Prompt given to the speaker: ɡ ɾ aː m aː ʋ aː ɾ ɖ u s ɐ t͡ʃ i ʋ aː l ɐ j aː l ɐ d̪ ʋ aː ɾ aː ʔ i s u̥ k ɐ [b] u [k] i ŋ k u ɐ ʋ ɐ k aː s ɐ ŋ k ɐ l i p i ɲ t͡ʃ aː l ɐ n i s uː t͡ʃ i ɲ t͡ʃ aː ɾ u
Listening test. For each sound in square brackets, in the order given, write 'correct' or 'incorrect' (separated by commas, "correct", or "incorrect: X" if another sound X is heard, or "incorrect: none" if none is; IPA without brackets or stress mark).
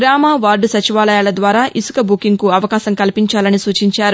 correct, correct